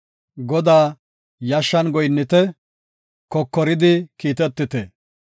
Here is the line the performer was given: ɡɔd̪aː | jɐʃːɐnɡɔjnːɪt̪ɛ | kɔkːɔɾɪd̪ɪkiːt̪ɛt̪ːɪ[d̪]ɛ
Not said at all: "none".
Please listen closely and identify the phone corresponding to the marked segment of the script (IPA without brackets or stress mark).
t̪